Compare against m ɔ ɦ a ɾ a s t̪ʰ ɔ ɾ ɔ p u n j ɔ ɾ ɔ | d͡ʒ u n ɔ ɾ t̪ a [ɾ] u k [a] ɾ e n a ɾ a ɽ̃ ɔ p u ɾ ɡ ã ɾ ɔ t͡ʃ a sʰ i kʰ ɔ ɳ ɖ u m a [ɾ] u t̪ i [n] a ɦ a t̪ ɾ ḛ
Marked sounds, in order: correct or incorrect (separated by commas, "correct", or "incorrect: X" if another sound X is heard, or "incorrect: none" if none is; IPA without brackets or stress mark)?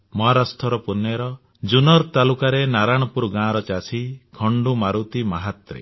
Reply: incorrect: l, correct, correct, incorrect: m